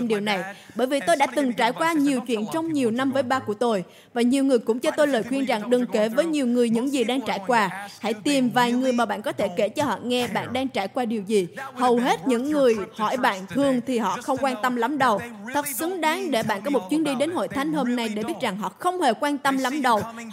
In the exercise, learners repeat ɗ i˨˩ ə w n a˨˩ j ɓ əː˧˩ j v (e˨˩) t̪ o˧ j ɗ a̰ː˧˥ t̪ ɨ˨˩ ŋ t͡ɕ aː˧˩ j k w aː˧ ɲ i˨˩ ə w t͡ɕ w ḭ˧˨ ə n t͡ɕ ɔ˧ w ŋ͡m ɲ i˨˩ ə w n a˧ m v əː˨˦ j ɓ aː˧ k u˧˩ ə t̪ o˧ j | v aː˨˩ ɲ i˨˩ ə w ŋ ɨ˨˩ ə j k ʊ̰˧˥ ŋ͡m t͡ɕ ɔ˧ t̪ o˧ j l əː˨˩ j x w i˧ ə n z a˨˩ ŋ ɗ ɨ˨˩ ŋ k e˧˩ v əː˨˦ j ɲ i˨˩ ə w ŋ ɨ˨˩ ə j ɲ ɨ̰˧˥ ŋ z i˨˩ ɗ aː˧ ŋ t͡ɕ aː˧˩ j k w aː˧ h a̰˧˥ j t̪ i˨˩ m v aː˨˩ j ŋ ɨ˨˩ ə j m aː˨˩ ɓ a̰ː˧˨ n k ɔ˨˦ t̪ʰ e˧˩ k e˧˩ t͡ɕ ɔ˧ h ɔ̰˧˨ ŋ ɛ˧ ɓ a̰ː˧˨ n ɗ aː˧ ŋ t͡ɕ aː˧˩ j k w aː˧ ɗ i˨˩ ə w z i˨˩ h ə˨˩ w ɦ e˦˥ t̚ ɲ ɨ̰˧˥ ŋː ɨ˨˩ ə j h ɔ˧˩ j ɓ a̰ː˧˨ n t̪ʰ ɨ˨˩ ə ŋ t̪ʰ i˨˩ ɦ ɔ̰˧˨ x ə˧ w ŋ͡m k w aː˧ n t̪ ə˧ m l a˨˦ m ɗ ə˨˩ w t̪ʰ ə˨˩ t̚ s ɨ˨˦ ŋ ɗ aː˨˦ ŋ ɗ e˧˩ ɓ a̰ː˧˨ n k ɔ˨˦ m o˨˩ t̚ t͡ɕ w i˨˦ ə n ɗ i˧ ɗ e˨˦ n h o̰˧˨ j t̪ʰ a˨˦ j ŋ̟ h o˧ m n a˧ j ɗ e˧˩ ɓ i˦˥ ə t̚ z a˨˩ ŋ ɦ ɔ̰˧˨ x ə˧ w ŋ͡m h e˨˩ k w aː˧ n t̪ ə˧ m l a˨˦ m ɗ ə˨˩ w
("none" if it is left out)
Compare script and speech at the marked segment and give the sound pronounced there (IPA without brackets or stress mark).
i˨˩